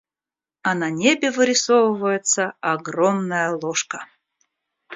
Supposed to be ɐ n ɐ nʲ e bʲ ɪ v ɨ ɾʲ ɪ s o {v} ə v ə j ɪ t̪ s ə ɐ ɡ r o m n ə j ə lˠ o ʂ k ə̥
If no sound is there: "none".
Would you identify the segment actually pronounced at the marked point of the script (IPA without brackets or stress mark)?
v